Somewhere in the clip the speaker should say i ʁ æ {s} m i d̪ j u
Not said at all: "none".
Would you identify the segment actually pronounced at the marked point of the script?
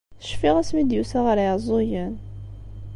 s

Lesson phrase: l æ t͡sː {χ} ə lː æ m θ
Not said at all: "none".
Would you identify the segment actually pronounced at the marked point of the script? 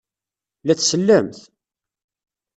s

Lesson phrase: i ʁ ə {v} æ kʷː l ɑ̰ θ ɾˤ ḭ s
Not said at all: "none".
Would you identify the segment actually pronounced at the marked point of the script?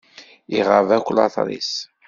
v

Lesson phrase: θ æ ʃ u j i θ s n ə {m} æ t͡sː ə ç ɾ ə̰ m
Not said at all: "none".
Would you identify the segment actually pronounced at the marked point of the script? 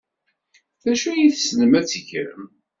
m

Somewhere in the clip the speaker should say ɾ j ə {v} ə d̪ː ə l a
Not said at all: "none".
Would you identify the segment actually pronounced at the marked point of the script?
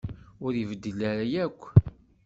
v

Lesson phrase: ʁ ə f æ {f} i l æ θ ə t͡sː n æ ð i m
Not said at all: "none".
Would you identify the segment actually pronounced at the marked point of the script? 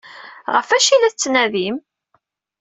ʃ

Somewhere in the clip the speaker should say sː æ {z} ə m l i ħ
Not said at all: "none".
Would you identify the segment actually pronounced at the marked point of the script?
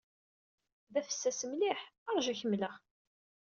s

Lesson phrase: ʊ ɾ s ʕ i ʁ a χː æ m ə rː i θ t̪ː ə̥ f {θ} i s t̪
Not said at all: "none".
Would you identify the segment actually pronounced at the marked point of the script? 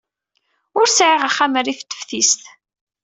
θ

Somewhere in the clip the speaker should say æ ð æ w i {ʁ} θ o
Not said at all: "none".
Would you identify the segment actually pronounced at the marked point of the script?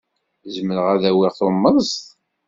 ʁ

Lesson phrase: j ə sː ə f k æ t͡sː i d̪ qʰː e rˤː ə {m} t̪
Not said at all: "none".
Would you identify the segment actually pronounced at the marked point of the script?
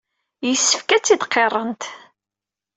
n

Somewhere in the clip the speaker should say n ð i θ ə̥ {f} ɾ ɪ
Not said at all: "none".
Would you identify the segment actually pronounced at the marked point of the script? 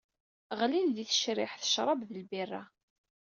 ʃ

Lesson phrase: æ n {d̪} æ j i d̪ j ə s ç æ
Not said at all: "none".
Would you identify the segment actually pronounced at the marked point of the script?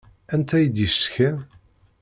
t̪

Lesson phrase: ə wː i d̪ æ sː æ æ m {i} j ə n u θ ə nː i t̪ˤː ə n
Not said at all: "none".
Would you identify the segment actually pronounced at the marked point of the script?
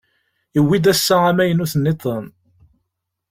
æ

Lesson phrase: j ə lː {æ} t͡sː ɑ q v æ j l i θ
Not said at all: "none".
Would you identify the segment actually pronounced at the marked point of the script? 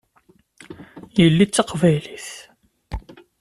i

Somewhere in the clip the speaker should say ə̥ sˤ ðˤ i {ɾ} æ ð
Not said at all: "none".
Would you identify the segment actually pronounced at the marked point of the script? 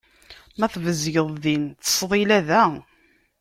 l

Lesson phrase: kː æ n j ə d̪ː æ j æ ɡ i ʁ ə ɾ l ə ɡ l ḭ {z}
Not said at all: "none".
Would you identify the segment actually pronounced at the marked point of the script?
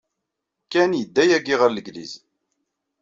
z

